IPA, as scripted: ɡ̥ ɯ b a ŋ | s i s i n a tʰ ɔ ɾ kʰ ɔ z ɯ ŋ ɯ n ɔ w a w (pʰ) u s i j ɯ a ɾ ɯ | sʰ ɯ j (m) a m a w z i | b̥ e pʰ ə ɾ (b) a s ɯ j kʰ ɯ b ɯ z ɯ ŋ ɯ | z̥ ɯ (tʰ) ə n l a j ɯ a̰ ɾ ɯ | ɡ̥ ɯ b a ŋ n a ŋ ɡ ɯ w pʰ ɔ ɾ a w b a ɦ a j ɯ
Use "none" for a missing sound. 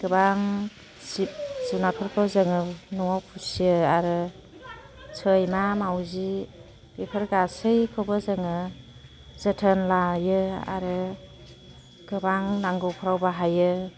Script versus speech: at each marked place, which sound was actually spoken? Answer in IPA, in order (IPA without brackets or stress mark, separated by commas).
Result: pʰ, m, ɡ, tʰ